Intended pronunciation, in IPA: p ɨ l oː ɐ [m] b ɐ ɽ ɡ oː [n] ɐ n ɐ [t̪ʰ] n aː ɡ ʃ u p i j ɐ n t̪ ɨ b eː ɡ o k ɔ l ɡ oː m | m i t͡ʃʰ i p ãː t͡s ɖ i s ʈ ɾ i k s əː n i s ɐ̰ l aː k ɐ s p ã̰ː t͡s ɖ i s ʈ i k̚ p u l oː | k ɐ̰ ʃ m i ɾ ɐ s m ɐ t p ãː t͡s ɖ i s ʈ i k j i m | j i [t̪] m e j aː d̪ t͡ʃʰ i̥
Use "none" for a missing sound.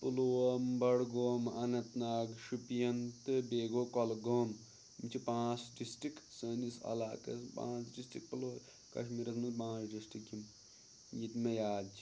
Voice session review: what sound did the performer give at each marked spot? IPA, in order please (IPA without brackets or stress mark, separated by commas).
m, m, t̪, t̪